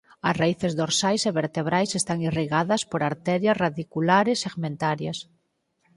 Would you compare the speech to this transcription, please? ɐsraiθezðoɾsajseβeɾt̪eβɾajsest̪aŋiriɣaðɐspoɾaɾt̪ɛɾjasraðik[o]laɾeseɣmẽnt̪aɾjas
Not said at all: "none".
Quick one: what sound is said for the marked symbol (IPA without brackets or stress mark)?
u